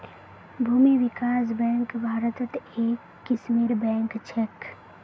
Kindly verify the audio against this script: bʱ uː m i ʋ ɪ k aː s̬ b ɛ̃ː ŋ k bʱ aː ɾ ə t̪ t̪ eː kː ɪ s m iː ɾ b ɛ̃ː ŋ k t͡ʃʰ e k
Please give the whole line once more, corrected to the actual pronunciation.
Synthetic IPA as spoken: bʱ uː m i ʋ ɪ k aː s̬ b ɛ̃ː ŋ k bʱ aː ɾ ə t̪ t̪ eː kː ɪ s m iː ɾ b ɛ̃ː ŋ k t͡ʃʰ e k